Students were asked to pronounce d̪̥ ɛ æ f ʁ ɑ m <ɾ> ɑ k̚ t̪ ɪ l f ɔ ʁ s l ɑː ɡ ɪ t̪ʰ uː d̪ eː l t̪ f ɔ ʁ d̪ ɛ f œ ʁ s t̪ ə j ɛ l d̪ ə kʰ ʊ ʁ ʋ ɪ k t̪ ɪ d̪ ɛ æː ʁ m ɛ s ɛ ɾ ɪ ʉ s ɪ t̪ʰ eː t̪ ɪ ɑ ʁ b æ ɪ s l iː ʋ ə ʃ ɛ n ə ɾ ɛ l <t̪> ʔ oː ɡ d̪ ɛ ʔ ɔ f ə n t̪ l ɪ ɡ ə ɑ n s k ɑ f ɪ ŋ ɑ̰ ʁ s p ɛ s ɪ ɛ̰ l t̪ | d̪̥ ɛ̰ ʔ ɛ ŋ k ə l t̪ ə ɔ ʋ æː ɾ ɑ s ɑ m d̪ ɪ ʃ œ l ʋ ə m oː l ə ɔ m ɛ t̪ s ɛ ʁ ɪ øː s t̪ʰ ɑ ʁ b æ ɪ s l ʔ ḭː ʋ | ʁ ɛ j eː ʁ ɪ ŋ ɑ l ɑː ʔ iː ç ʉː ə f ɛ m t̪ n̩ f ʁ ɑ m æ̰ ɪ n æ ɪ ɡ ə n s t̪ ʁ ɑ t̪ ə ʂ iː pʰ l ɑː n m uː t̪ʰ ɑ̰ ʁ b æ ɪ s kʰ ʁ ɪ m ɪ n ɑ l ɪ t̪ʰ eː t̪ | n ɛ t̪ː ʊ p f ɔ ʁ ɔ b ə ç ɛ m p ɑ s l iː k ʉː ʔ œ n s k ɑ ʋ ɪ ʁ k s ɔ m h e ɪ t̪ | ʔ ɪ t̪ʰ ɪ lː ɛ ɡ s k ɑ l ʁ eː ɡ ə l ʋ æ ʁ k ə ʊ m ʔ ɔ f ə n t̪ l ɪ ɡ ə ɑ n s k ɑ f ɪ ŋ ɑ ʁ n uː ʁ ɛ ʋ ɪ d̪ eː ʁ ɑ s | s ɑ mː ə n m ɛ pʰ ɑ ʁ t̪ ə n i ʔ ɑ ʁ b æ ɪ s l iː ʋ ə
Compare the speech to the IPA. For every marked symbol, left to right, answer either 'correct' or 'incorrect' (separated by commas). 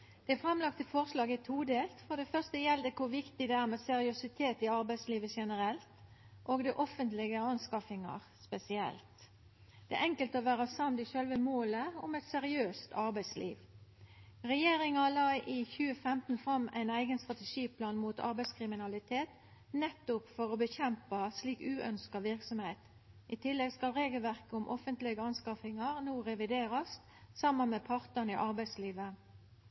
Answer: incorrect, correct